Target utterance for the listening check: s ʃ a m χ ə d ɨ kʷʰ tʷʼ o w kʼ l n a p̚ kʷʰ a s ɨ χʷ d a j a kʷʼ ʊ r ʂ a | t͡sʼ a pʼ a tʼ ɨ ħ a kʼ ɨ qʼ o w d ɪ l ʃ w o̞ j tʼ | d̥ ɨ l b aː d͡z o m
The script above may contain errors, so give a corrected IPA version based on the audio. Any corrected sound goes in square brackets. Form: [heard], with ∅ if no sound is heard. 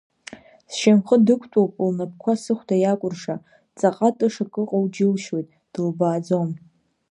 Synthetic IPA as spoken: s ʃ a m χ ə d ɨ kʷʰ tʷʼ o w [pʼ] l n a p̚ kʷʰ a s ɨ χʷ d a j a kʷʼ ʊ r ʂ a | t͡sʼ a [qʼ] a tʼ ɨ [ʂ] a kʼ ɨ qʼ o w [d͡ʒ] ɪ l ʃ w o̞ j tʼ | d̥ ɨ l b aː d͡z o m